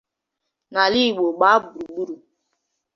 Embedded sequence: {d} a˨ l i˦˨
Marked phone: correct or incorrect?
incorrect